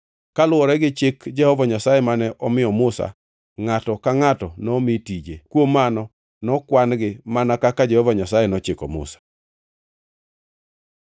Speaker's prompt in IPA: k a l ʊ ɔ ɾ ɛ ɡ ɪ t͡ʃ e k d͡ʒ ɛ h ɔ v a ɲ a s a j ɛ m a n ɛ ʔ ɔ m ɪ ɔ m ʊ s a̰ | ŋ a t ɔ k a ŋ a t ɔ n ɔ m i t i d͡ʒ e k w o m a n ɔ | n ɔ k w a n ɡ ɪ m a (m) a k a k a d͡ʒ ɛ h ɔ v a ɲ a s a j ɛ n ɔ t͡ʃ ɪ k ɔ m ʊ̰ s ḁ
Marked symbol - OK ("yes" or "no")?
no